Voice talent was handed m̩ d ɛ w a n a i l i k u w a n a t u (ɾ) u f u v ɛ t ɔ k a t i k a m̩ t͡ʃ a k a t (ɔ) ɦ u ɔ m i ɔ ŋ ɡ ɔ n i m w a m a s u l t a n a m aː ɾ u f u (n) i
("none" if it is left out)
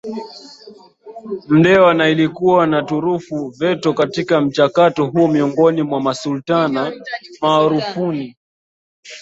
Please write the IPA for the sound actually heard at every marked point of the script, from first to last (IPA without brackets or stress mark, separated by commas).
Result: ɾ, ɔ, n